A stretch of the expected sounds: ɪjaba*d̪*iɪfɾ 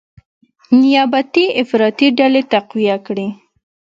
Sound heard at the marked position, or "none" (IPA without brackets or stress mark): t̪